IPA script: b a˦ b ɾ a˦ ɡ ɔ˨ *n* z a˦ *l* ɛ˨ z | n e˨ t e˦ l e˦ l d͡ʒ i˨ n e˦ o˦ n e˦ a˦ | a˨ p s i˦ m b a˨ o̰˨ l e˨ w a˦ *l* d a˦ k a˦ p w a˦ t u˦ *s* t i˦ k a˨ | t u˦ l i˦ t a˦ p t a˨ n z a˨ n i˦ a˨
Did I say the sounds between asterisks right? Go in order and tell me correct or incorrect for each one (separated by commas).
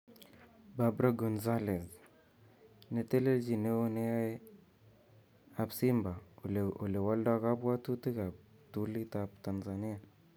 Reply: correct, correct, correct, incorrect